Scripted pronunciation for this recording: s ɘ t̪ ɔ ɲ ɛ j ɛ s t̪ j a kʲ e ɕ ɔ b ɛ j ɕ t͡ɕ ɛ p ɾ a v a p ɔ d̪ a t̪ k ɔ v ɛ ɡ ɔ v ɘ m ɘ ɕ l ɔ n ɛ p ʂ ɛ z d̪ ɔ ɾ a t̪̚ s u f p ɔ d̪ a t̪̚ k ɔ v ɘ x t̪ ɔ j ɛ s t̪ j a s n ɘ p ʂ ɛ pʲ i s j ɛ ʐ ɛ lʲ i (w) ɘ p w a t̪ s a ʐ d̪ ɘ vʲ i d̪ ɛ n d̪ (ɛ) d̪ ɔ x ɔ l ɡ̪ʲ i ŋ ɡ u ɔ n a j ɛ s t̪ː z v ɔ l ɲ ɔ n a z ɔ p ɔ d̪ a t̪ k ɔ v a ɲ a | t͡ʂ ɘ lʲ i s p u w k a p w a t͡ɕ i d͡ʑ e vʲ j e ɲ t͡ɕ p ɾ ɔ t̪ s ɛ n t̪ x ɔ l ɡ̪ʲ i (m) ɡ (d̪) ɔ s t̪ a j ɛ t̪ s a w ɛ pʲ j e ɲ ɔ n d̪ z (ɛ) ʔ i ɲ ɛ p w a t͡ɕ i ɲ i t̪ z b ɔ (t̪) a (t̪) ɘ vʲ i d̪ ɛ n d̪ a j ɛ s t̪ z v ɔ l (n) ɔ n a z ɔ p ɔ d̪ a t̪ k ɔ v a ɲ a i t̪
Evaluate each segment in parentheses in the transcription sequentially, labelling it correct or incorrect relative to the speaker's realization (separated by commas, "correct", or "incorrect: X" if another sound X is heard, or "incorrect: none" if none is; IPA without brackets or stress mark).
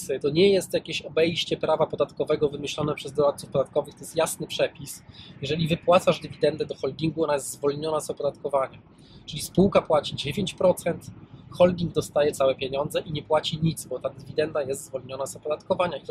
incorrect: v, correct, incorrect: ŋ, correct, correct, correct, incorrect: d̪, incorrect: ɲ